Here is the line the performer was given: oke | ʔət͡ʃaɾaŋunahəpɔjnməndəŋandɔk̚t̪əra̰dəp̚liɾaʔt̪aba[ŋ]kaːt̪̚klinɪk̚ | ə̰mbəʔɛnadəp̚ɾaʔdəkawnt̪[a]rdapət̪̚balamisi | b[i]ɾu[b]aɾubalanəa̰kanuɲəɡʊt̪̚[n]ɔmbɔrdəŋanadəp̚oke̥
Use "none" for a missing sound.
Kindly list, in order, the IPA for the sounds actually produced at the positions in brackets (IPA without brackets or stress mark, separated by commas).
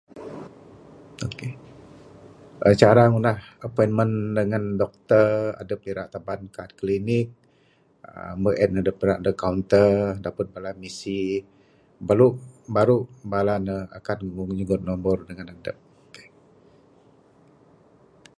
n, ə, a, b, n